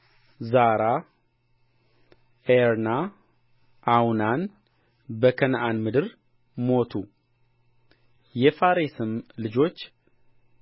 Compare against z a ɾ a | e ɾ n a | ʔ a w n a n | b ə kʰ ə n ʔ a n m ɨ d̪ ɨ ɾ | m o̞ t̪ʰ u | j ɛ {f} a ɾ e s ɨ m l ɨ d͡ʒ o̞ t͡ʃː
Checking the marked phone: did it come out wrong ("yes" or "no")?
no